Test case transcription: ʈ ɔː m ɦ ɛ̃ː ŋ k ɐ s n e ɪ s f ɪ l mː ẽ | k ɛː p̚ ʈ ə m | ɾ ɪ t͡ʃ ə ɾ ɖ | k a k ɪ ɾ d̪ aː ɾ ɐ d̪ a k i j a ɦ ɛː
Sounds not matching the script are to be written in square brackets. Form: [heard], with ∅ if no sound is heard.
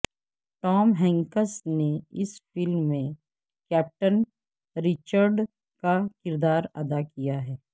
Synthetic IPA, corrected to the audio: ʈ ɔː m ɦ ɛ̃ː ŋ k [ə] s n e ɪ s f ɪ l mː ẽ | k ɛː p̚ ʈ ə [n] | ɾ ɪ t͡ʃ ə ɾ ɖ | k a k ɪ ɾ d̪ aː ɾ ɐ d̪ a k i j a ɦ ɛː